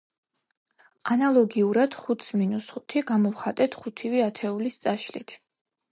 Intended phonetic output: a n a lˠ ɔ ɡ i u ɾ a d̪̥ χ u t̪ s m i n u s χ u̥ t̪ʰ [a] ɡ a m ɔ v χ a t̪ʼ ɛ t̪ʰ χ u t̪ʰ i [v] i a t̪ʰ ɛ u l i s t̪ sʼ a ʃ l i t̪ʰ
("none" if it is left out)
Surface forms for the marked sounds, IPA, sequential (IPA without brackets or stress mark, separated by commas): i, v